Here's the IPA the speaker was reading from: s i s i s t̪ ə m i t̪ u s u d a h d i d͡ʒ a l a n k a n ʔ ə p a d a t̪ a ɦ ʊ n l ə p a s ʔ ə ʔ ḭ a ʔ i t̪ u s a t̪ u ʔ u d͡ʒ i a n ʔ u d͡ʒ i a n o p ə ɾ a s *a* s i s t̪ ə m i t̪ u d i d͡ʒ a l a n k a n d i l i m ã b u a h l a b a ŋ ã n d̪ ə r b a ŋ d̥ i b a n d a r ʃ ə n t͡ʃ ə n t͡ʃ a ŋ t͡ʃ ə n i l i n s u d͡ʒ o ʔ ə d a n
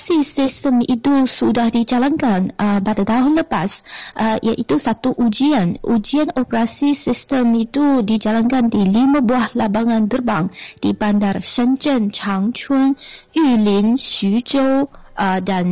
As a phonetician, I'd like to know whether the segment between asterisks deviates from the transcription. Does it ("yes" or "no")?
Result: yes